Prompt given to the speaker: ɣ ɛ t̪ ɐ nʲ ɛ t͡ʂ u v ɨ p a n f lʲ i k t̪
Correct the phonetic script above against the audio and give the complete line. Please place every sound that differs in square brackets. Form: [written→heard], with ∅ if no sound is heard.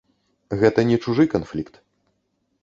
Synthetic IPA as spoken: ɣ ɛ t̪ ɐ nʲ ɛ t͡ʂ u [v→ʐ] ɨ [p→k] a n f lʲ i k t̪

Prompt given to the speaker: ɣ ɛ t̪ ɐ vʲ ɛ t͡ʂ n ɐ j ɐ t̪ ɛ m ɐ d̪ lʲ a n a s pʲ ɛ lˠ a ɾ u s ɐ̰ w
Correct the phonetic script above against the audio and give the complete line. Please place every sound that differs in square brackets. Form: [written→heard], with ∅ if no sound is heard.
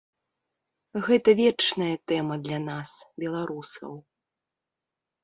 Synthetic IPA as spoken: ɣ ɛ t̪ ɐ vʲ ɛ t͡ʂ n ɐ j ɐ t̪ ɛ m ɐ d̪ lʲ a n a s [pʲ→bʲ] ɛ lˠ a ɾ u s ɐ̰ w

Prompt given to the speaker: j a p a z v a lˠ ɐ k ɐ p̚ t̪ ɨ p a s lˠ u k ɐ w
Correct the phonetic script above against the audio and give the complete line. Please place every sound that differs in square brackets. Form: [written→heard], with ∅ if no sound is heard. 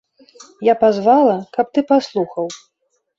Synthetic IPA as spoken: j a p a z v a lˠ ɐ k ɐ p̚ t̪ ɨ p a s lˠ u [k→x] ɐ w

